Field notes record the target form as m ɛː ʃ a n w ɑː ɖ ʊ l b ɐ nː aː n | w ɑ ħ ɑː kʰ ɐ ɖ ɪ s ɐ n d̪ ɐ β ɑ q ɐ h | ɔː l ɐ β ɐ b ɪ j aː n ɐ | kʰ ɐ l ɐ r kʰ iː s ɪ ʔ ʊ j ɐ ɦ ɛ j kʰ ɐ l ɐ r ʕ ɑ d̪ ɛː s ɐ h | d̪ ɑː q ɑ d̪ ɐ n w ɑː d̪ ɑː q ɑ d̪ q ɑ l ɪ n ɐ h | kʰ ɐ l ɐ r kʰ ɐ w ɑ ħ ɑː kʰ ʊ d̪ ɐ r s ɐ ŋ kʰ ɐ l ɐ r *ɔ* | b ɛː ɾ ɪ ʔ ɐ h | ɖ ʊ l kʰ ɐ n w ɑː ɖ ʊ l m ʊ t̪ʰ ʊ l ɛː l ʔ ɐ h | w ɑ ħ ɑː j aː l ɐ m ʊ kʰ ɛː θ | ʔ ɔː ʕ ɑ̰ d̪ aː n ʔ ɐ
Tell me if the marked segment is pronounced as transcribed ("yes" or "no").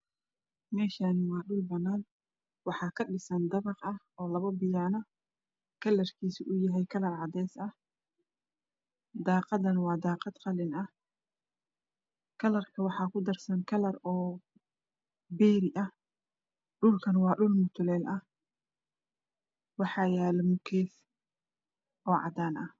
no